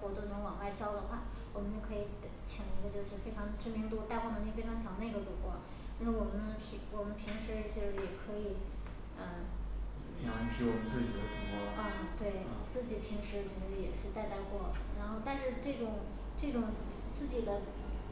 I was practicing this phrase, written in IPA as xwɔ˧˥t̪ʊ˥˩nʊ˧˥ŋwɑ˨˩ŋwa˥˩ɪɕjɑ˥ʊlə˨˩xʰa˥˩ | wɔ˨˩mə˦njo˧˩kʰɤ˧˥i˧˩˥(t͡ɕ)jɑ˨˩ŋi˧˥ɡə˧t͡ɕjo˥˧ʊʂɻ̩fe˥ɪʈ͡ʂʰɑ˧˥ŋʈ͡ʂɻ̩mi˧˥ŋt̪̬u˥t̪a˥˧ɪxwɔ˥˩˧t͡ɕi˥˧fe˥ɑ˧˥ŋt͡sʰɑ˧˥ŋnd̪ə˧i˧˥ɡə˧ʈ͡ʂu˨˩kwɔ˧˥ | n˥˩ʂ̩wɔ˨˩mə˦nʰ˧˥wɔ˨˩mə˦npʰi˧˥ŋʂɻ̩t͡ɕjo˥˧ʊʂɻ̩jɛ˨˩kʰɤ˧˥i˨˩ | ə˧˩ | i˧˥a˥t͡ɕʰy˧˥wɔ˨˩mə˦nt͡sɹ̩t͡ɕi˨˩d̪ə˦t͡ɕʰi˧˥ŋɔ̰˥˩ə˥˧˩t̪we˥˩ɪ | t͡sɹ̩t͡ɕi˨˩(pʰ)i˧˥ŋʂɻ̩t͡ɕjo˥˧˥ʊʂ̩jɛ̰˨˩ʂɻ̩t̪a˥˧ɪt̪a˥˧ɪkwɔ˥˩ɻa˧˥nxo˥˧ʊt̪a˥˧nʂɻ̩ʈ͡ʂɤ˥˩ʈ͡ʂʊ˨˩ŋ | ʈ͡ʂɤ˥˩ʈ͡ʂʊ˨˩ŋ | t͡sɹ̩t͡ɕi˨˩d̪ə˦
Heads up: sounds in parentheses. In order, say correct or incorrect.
incorrect: t͡ɕʰ, correct

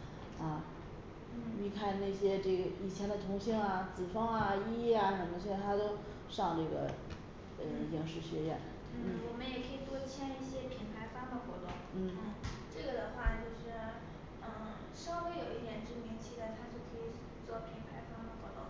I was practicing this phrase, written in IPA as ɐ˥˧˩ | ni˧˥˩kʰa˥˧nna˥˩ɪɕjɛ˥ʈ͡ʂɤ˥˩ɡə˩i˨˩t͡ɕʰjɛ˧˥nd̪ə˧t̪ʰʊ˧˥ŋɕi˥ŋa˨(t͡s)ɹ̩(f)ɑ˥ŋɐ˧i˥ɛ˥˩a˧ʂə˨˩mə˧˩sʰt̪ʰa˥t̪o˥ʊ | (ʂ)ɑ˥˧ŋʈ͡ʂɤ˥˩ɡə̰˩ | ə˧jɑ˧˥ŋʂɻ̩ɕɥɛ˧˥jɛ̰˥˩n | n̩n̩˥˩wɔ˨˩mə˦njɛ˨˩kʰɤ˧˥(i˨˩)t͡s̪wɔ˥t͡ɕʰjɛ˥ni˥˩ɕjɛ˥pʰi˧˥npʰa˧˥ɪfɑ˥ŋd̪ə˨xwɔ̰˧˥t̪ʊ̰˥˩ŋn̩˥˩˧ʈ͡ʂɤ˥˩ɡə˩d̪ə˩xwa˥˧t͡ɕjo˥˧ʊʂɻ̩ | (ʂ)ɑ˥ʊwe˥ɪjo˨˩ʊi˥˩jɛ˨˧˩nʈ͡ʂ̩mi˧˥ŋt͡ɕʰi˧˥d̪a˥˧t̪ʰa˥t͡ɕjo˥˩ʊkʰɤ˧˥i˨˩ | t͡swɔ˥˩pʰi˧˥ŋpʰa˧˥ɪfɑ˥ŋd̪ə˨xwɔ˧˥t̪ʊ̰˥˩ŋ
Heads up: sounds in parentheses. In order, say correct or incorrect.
correct, correct, correct, correct, correct

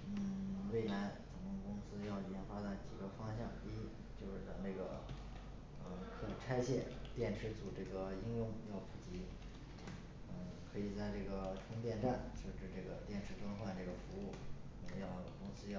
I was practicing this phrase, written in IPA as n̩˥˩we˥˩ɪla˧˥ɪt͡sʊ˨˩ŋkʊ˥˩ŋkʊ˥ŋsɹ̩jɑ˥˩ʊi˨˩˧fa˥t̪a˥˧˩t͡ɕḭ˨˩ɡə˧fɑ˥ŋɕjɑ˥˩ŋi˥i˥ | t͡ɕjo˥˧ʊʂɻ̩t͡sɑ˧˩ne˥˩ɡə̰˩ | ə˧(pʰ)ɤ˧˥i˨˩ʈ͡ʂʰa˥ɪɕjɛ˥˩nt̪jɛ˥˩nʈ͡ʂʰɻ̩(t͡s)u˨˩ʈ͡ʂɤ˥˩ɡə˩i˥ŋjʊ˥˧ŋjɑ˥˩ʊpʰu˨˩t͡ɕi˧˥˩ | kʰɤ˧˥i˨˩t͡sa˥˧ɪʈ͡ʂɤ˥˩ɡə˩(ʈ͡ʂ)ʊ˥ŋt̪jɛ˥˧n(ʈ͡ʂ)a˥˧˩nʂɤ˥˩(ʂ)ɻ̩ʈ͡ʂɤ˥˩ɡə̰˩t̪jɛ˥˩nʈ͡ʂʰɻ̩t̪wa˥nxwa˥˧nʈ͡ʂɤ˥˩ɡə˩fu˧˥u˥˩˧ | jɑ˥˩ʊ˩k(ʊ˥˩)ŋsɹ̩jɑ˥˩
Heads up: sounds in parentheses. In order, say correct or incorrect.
incorrect: kʰ, correct, incorrect: ʈ͡ʂʰ, correct, incorrect: ʈ͡ʂ, incorrect: ʊ˥

